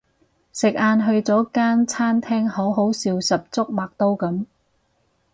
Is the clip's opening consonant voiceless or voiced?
voiceless